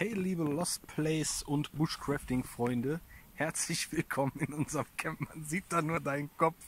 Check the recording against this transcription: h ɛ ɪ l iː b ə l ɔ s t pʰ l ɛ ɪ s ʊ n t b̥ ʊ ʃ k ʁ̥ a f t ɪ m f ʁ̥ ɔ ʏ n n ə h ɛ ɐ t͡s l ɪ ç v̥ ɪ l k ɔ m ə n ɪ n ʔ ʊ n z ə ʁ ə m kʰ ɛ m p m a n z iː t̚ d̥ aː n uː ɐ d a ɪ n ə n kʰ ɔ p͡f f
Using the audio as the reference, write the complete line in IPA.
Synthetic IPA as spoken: h ɛ ɪ l iː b ə l ɔ s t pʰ l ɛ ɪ s ʊ n t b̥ ʊ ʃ k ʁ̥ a f t ɪ ŋ f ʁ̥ ɔ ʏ n d ə h ɛ ɐ t͡s l ɪ ç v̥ ɪ l kʰ ɔ m ə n ɪ n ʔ ʊ n z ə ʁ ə m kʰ ɛ m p m a n z iː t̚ d̥ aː n uː ɐ d a ɪ n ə n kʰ ɔ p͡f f

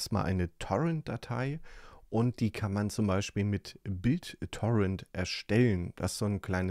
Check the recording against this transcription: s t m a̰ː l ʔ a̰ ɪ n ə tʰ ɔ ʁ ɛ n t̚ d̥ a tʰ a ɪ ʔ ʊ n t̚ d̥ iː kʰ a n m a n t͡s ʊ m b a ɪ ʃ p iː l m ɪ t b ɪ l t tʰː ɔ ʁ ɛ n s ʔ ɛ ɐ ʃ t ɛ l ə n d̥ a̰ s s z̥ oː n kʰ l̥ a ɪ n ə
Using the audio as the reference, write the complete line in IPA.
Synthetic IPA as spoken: s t m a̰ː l ʔ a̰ ɪ n ə tʰ ɔ ʁ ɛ n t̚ d̥ a tʰ a ɪ ʔ ʊ n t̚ d̥ iː kʰ a n m a n t͡s ʊ m b a ɪ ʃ p iː l m ɪ t b ɪ l t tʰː ɔ ʁ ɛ n t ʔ ɛ ɐ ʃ t ɛ l ə n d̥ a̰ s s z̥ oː n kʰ l̥ a ɪ n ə

